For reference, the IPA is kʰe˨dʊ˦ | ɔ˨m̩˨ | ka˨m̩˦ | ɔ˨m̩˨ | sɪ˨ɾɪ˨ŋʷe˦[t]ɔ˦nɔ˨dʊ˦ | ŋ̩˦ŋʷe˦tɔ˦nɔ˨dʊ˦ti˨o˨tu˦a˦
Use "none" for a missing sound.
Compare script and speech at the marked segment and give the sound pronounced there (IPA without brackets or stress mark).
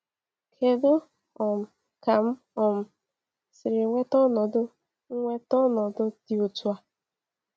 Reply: t